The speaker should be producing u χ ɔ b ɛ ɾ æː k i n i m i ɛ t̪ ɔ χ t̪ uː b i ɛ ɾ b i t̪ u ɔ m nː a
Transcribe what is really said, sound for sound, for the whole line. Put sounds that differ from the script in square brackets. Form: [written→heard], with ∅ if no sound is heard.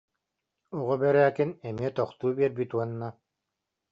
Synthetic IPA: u [χ→ʁ] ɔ b ɛ ɾ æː k i n [i→ɛ] m i ɛ t̪ ɔ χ t̪ uː b i ɛ ɾ b i t̪ u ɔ [m→∅] nː a